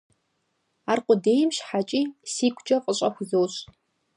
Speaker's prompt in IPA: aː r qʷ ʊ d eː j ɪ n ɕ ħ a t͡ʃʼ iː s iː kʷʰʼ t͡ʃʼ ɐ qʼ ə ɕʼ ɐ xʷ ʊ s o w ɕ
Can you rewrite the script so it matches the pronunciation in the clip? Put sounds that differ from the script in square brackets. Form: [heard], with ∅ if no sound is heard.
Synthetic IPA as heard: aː r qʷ ʊ d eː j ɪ [m] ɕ ħ a t͡ʃʼ iː s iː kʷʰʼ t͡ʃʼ ɐ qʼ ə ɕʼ ɐ xʷ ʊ [z] o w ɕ